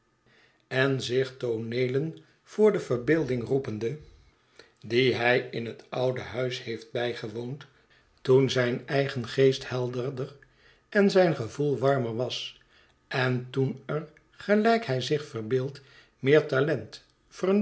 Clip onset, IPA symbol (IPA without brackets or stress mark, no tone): ɛ